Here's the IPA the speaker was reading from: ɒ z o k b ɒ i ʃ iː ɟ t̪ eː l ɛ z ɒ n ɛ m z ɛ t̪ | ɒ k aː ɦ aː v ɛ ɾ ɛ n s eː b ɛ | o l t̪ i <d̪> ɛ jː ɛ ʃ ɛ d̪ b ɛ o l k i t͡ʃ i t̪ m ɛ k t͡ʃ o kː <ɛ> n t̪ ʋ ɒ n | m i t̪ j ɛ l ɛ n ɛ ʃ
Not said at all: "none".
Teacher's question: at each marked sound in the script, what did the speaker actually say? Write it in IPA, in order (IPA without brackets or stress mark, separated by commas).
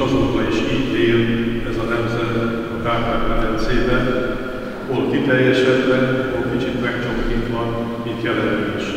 t̪, i